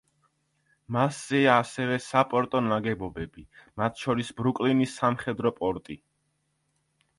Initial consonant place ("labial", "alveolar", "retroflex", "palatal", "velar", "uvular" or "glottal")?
labial